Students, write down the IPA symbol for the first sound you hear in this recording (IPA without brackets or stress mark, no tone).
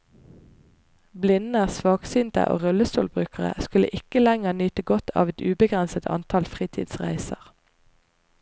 b